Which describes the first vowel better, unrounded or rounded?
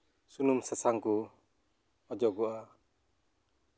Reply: rounded